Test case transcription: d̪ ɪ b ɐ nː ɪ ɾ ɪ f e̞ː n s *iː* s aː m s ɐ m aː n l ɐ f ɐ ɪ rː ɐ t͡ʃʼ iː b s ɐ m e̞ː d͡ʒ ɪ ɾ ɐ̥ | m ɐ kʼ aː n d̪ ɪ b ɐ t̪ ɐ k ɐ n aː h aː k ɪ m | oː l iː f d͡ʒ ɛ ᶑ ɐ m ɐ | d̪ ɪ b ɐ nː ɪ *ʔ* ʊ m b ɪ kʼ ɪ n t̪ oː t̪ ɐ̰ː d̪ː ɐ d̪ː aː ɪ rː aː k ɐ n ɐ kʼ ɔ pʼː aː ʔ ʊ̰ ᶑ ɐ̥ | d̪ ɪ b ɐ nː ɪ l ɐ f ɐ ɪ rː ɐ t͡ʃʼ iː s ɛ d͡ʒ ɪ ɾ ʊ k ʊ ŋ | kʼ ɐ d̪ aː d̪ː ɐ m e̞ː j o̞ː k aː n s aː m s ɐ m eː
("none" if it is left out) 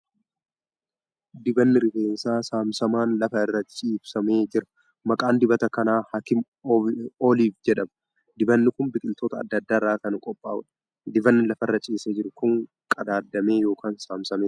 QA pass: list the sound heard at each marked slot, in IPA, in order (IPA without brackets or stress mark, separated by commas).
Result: aː, k